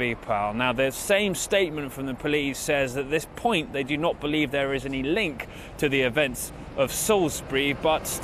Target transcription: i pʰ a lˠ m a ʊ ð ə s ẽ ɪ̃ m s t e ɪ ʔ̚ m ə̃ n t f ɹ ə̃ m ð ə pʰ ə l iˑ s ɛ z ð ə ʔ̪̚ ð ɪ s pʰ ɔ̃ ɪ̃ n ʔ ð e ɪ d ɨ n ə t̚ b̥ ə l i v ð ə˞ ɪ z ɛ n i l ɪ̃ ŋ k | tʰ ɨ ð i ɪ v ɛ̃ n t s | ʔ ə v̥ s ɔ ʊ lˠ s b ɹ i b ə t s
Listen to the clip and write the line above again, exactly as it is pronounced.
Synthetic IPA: i pʰ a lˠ n a ʊ ð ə s ẽ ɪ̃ m s t e ɪ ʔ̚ m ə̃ n t f ɹ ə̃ m ð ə pʰ ə l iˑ s ɛ z ð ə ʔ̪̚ ð ɪ s pʰ ɔ̃ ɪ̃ n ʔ ð e ɪ d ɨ n ə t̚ b̥ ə l i v ð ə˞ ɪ z ɛ n i l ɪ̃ ŋ k | tʰ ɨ ð i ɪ v ɛ̃ n t s | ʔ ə v̥ s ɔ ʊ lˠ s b ɹ i b ʌ t s

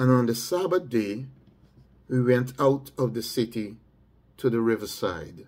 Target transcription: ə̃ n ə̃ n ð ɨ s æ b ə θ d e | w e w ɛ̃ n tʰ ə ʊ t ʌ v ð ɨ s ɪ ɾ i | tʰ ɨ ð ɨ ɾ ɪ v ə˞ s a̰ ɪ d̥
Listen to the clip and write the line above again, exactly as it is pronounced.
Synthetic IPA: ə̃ n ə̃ n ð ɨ s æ b ə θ d e | w i w ɛ̃ n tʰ a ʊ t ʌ v ð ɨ s ɪ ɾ i | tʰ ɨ ð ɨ ɹ ɪ v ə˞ s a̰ ɪ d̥

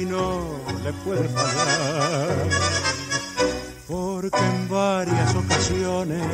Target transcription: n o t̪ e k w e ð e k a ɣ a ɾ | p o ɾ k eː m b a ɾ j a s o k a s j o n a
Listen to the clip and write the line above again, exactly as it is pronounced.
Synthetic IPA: n o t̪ e p w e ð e p a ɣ a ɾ | p o ɾ k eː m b a ɾ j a s o k a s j o n e

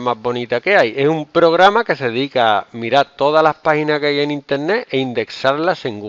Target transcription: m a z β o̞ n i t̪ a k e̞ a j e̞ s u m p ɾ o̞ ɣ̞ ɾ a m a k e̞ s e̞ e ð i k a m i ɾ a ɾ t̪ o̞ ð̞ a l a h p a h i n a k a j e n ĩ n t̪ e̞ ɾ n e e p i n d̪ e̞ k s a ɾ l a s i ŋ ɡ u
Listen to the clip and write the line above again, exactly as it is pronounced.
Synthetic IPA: m a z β o̞ n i t̪ a k e̞ a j e̞ s u m p ɾ o̞ ɣ̞ ɾ a m a k e̞ s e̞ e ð i k a m i ɾ a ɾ t̪ o̞ ð̞ a l a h p a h i n a k a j e n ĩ n t̪ e̞ ɾ n e e i n d̪ e̞ k s a ɾ l a s e ŋ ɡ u

